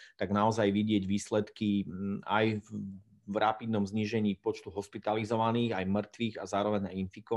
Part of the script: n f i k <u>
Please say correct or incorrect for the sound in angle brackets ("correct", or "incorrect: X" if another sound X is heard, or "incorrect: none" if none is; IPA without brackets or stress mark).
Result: incorrect: ɔ